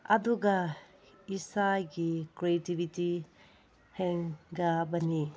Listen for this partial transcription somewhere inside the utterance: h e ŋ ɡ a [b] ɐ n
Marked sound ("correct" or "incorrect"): correct